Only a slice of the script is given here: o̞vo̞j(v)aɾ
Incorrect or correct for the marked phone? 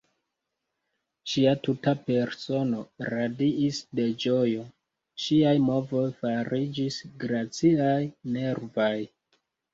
incorrect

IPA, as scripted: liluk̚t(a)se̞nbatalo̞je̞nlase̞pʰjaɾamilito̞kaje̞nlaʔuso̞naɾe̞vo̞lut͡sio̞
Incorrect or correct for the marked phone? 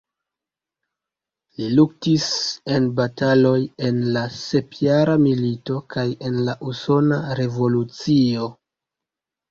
incorrect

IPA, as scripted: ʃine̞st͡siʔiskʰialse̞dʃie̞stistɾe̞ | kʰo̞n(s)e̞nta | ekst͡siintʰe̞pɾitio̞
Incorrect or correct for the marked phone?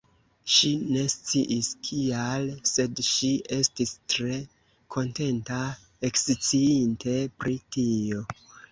incorrect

